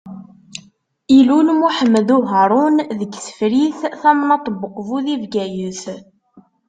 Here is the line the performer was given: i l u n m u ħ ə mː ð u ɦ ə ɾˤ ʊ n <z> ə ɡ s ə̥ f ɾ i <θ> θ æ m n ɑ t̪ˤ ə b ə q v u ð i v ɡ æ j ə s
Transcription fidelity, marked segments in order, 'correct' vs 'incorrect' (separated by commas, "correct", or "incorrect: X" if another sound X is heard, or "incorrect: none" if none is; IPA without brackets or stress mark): incorrect: ð, correct